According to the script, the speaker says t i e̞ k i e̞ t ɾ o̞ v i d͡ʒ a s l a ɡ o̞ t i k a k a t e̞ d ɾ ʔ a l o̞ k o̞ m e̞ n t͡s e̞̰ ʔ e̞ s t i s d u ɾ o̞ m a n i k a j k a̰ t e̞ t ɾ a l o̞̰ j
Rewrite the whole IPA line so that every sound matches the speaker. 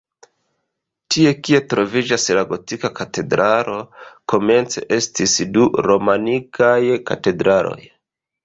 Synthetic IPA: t i e̞ k i e̞ t ɾ o̞ v i d͡ʒ a s l a ɡ o̞ t i k a k a t e̞ d ɾ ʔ a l o̞ k o̞ m e̞ n t͡s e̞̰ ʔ e̞ s t i s d u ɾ o̞ m a n i k a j k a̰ t e̞ d ɾ a l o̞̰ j